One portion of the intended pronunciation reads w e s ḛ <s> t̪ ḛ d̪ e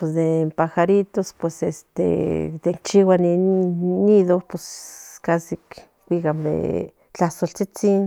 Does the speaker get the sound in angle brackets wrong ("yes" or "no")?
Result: no